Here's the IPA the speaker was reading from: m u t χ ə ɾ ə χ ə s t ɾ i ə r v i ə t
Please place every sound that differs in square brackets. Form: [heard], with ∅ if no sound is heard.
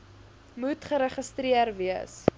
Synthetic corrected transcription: m u t χ ə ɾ ə χ ə s t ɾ i ə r v i ə [s]